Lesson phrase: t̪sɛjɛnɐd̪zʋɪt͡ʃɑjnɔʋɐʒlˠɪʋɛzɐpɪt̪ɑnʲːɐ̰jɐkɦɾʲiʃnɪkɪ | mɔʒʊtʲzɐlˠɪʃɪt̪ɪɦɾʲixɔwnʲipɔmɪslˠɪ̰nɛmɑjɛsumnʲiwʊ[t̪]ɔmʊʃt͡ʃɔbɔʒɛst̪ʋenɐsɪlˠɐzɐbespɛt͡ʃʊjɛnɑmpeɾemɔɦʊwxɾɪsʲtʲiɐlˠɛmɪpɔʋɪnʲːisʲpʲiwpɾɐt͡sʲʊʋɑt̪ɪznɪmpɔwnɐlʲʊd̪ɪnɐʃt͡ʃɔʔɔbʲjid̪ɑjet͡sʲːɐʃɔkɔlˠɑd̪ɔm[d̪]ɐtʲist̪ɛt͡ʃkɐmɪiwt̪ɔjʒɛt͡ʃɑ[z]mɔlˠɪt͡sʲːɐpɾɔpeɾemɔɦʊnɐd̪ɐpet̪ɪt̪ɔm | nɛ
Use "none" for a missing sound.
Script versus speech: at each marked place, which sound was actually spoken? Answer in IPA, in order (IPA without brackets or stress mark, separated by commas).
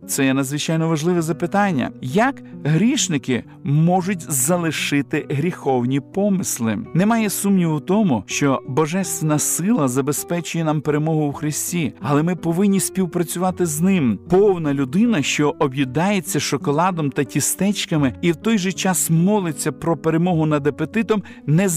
t̪, t̪, s